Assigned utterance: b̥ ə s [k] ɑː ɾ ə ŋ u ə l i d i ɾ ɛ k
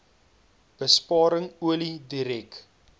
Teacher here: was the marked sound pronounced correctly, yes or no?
no